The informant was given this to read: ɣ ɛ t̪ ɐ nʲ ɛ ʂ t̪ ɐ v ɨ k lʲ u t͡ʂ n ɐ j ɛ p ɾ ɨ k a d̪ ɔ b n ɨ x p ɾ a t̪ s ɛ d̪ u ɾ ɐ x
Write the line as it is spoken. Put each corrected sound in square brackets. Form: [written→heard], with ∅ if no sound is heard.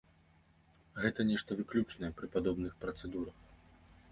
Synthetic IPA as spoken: ɣ ɛ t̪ ɐ nʲ ɛ ʂ t̪ ɐ v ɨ k lʲ u t͡ʂ n ɐ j ɛ p ɾ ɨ [k→p] a d̪ ɔ b n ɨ x p ɾ [a→ɐ] t̪ s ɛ d̪ u ɾ ɐ x

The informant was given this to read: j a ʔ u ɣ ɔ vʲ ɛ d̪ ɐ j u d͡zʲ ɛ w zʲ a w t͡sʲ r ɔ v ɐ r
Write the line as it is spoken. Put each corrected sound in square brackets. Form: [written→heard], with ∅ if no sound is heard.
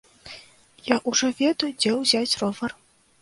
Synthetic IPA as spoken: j a ʔ u [ɣ→ʐ] ɔ vʲ ɛ d̪ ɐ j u d͡zʲ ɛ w zʲ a [w→∅] t͡sʲ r ɔ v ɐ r

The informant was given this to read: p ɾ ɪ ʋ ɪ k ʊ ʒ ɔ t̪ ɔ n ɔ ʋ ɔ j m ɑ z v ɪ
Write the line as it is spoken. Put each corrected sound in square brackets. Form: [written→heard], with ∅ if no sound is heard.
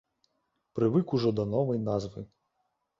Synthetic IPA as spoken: p ɾ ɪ ʋ ɪ k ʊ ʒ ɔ [t̪→d̪] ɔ n ɔ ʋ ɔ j [m→n] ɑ z [v→ʋ] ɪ

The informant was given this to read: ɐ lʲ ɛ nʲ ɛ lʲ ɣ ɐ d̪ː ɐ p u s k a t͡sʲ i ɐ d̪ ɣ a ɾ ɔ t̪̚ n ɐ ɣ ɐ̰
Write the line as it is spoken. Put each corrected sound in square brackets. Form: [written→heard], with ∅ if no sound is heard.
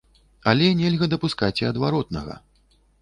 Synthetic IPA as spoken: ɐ lʲ ɛ nʲ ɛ lʲ ɣ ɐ [d̪ː→d̪] ɐ p u s k a t͡sʲ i ɐ d̪ [ɣ→v] a ɾ ɔ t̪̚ n ɐ ɣ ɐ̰

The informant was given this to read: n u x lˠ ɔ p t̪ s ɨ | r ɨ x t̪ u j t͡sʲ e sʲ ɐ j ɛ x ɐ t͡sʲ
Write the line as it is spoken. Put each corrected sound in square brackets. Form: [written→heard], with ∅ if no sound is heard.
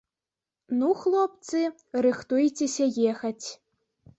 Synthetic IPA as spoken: n u x lˠ ɔ p t̪ s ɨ | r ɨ x t̪ u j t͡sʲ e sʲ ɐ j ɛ x ɐ t͡sʲ

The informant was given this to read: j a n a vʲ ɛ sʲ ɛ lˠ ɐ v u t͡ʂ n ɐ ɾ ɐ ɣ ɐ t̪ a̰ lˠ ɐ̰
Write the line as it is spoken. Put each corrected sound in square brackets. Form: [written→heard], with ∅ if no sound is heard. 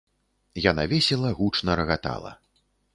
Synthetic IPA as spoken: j a n a vʲ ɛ sʲ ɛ lˠ ɐ [v→ɣ] u t͡ʂ n ɐ ɾ ɐ ɣ [ɐ→a] t̪ a̰ lˠ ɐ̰

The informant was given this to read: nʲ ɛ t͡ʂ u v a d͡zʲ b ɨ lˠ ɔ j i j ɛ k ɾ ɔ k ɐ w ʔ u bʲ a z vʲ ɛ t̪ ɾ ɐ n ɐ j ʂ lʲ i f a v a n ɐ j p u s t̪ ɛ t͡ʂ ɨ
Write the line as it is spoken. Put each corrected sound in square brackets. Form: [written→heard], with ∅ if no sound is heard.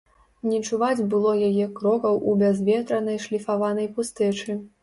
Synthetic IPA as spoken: nʲ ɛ t͡ʂ u v a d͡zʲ b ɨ lˠ ɔ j [i→a] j ɛ k ɾ ɔ k ɐ w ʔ u bʲ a z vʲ ɛ t̪ ɾ ɐ n ɐ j ʂ lʲ i f a v a n ɐ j p u s t̪ ɛ t͡ʂ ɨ

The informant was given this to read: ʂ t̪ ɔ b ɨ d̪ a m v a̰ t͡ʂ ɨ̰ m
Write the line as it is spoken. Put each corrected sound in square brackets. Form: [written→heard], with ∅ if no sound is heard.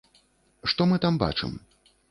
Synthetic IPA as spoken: ʂ t̪ ɔ [b→m] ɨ [d̪→t̪] a m [v→b] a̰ t͡ʂ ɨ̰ m

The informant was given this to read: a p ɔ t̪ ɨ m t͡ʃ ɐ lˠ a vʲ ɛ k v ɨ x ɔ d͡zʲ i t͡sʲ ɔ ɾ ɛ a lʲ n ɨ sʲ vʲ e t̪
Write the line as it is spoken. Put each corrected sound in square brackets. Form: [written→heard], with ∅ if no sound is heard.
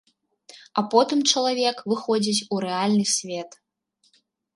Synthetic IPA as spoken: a p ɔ t̪ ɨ m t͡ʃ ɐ lˠ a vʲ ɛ k v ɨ x ɔ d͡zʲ i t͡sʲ [ɔ→u] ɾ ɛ a lʲ n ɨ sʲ vʲ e t̪

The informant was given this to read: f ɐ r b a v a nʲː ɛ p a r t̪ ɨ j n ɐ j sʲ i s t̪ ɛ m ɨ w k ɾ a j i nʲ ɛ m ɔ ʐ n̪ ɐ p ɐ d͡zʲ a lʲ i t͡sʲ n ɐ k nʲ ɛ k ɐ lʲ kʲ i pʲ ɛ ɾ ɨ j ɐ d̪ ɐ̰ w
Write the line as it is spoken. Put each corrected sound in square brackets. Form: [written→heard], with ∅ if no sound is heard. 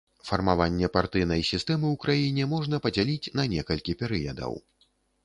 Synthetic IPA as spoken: f ɐ r [b→m] a v a nʲː ɛ p a r t̪ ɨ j n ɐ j sʲ i s t̪ ɛ m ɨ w k ɾ a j i nʲ ɛ m ɔ ʐ n̪ ɐ p ɐ d͡zʲ a lʲ i t͡sʲ n ɐ [k→∅] nʲ ɛ k ɐ lʲ kʲ i pʲ ɛ ɾ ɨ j ɐ d̪ ɐ̰ w

